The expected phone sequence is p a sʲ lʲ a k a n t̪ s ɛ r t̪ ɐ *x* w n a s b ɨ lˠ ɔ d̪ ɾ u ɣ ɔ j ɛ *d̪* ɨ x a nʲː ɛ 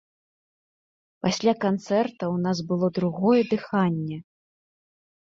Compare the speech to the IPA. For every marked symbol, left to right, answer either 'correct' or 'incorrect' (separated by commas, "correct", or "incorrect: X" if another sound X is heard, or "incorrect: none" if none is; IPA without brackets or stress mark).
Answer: incorrect: none, correct